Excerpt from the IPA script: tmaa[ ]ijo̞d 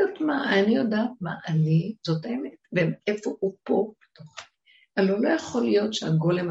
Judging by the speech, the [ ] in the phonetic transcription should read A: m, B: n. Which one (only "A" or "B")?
B